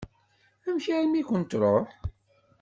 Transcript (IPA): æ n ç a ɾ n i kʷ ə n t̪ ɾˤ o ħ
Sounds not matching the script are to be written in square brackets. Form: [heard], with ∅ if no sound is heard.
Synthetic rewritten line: æ [m] ç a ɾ [m] i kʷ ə n t̪ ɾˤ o ħ